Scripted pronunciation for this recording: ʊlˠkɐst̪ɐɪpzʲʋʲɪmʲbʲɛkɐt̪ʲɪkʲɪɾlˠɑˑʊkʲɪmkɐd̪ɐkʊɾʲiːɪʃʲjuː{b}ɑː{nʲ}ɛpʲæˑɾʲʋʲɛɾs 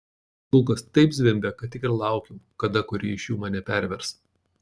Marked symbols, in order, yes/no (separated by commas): no, yes